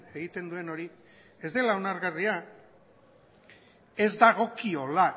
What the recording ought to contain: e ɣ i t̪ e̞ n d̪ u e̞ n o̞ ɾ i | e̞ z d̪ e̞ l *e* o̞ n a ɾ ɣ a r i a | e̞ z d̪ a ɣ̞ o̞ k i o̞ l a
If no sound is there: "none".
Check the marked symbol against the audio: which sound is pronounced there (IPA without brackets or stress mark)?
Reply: a